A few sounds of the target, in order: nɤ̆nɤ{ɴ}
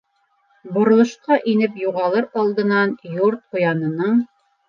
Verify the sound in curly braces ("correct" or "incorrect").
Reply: correct